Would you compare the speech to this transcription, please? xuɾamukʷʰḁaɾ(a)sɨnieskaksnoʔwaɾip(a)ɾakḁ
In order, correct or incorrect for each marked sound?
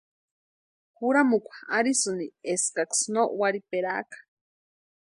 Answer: incorrect, incorrect

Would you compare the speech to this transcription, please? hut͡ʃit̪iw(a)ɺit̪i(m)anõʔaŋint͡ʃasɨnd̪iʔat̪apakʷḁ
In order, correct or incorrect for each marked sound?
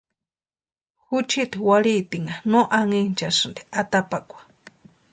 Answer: correct, incorrect

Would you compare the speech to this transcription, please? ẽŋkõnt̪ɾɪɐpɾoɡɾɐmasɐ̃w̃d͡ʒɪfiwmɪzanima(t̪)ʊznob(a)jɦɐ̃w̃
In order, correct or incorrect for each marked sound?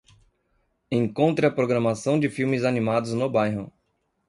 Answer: incorrect, correct

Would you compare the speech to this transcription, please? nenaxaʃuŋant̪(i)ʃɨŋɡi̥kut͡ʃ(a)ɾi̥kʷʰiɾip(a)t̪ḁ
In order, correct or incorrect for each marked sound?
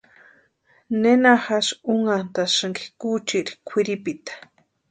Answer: incorrect, incorrect, incorrect

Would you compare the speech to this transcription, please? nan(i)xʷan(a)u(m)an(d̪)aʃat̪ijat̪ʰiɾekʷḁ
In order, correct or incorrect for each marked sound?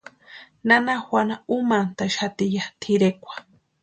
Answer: incorrect, correct, correct, incorrect

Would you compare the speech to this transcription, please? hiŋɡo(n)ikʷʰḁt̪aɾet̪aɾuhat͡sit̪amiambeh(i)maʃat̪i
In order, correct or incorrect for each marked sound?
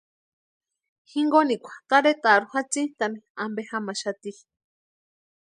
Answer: correct, incorrect

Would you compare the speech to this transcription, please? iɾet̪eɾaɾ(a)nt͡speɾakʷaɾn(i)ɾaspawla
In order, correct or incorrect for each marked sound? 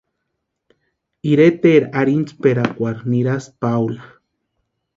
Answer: incorrect, correct

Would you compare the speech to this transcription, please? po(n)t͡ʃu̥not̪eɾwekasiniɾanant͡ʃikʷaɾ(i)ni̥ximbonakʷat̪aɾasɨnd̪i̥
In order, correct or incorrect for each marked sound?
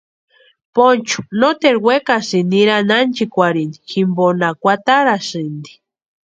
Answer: correct, correct

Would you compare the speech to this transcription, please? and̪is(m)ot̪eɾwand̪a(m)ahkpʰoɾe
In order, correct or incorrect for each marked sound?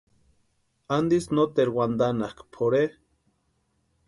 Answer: incorrect, incorrect

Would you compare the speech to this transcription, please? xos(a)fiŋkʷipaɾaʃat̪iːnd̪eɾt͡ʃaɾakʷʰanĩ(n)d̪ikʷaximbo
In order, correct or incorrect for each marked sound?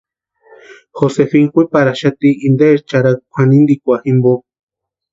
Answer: incorrect, correct

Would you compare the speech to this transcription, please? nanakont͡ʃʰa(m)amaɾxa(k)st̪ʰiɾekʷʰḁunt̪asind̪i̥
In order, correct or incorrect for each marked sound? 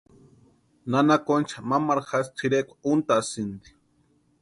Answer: correct, incorrect

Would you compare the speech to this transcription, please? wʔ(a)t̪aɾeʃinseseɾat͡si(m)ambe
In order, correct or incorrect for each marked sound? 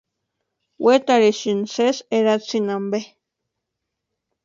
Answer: incorrect, incorrect

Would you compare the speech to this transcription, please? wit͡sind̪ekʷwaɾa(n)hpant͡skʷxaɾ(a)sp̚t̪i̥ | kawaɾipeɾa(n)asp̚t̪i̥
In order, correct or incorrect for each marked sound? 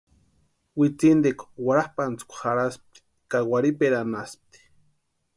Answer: incorrect, correct, correct

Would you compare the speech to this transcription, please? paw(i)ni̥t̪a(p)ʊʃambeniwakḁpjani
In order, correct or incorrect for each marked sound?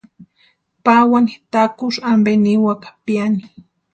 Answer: incorrect, incorrect

